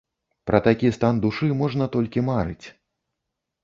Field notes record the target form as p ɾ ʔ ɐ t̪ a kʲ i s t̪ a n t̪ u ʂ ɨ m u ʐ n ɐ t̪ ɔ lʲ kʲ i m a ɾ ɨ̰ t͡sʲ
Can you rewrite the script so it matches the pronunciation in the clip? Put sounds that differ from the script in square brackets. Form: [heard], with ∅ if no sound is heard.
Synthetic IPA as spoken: p ɾ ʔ ɐ t̪ a kʲ i s t̪ a n [d̪] u ʂ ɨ m [ɔ] ʐ n ɐ t̪ ɔ lʲ kʲ i m a ɾ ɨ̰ t͡sʲ